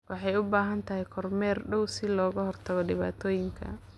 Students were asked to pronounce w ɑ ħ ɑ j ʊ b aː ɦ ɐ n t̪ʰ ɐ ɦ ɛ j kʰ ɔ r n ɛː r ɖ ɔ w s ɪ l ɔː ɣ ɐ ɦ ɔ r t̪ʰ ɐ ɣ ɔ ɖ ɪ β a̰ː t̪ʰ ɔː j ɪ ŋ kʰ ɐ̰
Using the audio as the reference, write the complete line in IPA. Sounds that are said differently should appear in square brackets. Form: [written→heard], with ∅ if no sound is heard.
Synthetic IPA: w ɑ ħ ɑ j ʊ b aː ɦ ɐ n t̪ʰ ɐ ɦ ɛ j kʰ ɔ r [n→m] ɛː r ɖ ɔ w s ɪ l ɔː ɣ ɐ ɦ ɔ r t̪ʰ ɐ ɣ ɔ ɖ ɪ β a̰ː t̪ʰ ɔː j ɪ ŋ kʰ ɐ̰